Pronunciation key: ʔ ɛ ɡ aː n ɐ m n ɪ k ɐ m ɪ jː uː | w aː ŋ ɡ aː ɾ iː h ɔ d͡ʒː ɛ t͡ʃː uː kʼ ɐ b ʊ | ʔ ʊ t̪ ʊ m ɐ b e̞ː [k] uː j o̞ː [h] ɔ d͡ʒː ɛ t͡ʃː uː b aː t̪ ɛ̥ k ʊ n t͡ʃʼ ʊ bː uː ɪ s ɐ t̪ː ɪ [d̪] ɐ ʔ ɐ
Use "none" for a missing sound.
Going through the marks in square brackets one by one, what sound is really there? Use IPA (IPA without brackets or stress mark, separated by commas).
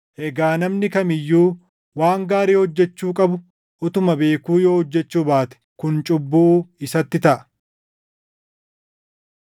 k, h, t̪